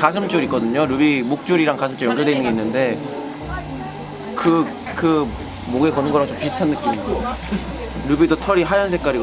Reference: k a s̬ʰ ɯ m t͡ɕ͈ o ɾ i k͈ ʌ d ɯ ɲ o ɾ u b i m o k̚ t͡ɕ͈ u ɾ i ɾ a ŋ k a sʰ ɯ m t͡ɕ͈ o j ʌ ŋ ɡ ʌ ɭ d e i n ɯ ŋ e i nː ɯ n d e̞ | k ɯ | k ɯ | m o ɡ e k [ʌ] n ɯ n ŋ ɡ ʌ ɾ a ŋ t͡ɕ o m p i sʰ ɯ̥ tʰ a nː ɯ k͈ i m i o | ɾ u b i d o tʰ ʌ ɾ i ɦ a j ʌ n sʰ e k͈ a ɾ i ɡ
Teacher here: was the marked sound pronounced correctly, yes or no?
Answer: yes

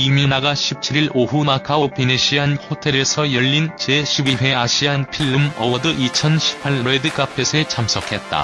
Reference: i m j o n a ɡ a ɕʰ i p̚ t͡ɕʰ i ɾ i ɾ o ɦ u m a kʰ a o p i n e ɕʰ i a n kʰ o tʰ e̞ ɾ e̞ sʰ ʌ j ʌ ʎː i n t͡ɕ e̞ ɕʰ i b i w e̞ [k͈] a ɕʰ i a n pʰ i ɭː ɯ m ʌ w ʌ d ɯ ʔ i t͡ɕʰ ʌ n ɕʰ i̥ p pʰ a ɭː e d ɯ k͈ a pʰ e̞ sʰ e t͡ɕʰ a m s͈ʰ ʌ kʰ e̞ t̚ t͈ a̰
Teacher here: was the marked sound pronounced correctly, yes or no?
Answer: no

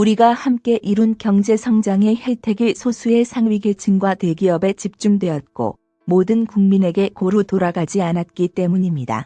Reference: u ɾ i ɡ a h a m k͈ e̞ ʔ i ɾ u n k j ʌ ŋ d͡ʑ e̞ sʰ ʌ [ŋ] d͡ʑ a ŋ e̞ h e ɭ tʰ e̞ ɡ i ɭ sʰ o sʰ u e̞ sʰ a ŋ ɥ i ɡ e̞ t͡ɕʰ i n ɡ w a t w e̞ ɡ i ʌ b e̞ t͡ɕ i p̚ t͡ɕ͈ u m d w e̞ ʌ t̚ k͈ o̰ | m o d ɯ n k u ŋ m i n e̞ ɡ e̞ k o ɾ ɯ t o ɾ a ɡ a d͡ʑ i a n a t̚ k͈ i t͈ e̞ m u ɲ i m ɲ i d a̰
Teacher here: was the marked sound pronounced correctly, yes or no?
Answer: yes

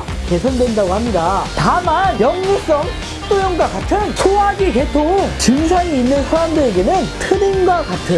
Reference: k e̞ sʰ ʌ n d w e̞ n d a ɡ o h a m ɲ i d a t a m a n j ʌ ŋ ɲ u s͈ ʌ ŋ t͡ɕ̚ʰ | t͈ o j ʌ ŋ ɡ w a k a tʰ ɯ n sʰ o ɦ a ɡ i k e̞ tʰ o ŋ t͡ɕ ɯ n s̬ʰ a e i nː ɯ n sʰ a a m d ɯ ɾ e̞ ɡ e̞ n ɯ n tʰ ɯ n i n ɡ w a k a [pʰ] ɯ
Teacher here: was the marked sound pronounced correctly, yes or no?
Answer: no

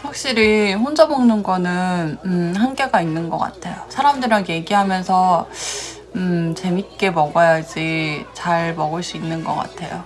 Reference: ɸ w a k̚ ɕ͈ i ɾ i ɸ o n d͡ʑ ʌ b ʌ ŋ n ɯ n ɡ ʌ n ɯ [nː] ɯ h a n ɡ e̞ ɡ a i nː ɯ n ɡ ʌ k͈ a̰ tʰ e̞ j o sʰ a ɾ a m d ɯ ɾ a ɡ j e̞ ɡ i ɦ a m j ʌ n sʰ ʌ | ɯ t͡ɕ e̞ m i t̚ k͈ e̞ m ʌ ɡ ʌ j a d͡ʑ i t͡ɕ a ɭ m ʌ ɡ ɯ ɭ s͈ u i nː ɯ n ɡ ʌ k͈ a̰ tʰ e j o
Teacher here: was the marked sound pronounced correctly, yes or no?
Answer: no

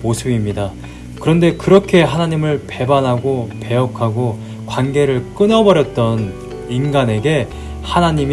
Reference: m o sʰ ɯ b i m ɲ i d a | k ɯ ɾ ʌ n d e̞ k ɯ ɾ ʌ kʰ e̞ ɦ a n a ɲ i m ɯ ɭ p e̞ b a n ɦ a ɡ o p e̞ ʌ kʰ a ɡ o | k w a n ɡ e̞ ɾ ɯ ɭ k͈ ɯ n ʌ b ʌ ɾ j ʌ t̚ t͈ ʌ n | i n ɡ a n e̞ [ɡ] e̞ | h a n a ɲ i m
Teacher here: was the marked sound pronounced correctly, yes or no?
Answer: yes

